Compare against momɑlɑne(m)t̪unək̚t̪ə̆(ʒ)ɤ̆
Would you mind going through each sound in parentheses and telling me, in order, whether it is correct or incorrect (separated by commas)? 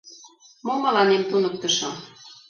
correct, incorrect